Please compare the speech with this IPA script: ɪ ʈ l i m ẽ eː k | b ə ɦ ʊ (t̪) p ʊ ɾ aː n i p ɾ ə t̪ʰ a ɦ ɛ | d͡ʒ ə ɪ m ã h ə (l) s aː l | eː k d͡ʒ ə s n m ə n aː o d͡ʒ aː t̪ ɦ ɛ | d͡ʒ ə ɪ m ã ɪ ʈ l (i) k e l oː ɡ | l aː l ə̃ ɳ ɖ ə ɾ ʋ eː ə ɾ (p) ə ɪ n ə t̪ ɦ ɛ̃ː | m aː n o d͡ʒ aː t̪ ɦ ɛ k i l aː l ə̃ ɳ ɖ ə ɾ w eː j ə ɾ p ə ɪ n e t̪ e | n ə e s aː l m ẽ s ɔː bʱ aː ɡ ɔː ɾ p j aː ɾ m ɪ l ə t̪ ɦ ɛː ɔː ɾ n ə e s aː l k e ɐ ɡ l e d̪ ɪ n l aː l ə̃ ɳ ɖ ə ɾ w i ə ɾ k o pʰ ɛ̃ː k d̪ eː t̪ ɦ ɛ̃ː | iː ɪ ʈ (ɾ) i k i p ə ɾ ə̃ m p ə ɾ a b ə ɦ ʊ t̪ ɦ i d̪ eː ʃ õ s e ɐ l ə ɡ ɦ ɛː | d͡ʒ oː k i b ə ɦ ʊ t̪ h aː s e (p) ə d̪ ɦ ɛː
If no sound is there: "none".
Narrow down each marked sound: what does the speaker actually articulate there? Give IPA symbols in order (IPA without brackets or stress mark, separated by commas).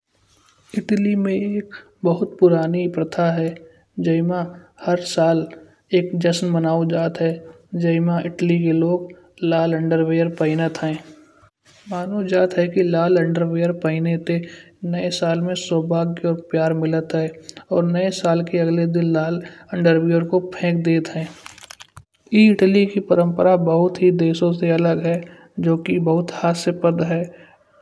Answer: t̪, ɾ, i, p, l, p